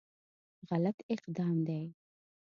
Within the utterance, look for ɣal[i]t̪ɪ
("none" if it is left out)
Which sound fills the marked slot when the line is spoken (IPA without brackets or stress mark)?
a